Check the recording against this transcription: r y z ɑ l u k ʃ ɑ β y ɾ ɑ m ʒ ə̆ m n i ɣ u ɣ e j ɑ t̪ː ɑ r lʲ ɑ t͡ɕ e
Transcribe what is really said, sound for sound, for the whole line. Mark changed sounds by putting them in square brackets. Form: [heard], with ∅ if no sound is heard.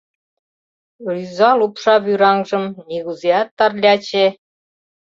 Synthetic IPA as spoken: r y z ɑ l u [p] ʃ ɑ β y ɾ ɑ [ŋ] ʒ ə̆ m n i ɣ u [z] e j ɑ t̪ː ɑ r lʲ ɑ t͡ɕ e